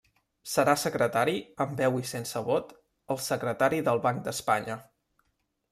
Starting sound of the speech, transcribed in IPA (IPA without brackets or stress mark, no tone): s